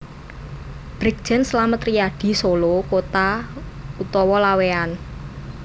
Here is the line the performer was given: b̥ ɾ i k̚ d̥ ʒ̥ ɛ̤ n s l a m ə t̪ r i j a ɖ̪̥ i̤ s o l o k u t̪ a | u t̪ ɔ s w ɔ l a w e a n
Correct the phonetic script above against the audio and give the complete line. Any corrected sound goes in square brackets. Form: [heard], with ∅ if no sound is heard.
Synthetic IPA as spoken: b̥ ɾ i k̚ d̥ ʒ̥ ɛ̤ n s l a m ə t̪ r i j a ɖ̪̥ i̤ s o l o k [o] t̪ a | u t̪ ɔ [∅] w ɔ l a w e a n